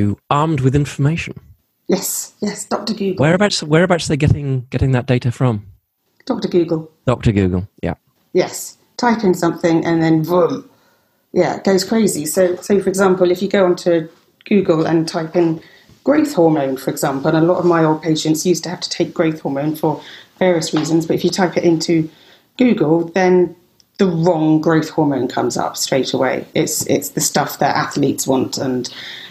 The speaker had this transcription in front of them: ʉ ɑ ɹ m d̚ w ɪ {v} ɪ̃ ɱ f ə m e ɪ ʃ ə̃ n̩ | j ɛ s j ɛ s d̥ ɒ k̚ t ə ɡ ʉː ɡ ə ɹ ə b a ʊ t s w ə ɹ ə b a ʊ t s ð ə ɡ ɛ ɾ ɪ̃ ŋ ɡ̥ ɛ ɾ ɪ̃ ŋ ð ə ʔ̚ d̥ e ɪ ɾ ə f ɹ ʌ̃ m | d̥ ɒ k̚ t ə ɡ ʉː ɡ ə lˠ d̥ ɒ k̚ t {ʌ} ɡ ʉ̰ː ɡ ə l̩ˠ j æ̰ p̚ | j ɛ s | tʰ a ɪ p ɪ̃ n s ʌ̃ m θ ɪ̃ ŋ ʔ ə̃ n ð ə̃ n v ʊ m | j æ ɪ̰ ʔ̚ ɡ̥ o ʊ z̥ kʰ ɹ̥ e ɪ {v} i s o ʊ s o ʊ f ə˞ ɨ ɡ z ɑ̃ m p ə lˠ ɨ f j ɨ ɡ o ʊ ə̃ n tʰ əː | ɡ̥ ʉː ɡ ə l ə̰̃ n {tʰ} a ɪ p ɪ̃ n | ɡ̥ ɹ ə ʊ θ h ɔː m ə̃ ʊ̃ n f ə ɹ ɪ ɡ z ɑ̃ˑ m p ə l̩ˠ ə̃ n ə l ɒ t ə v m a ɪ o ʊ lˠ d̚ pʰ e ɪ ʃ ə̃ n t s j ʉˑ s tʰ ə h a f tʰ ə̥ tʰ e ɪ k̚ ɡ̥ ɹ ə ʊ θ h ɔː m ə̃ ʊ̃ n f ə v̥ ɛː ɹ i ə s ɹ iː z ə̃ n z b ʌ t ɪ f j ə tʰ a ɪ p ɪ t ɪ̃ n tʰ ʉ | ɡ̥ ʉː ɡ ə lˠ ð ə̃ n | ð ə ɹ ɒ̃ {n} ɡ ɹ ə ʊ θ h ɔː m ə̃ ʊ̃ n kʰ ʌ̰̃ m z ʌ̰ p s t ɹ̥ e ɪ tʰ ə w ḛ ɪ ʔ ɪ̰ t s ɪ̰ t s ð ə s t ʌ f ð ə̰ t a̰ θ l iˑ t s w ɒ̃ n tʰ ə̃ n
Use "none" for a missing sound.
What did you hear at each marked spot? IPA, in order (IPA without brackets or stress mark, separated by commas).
ð, ə, z, tʰ, ŋ